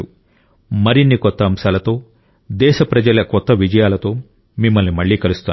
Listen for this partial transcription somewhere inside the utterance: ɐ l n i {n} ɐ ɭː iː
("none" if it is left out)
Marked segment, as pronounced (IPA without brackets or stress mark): m